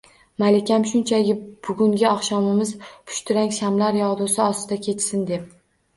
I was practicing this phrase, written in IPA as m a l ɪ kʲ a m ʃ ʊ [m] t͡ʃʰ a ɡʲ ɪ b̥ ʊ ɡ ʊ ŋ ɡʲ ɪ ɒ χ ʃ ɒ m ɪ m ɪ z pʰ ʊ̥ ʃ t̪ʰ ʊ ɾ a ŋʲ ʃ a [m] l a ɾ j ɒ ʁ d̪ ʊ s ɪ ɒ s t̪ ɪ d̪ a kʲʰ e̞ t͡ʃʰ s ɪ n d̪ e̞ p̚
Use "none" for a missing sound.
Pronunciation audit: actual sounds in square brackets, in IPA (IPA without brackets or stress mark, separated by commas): n, m